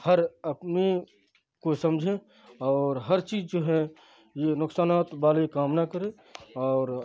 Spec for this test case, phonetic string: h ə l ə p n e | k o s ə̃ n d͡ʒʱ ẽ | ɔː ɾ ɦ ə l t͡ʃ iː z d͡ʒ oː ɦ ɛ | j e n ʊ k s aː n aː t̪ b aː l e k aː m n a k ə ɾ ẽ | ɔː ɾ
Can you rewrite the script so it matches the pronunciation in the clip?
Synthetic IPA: h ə ɾ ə p n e | k o s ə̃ m d͡ʒʱ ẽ | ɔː ɾ ɦ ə ɾ t͡ʃ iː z d͡ʒ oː ɦ ɛ | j e n ʊ k s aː n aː t̪ b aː l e k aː m n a k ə ɾ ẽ | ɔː ɾ